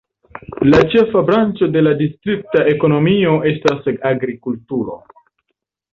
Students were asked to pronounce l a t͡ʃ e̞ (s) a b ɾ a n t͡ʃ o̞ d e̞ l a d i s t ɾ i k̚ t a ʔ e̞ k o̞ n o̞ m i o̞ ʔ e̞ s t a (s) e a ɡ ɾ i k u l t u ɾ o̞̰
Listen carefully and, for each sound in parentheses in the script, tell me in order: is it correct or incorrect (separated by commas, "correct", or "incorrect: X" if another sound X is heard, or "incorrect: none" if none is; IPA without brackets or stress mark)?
incorrect: f, correct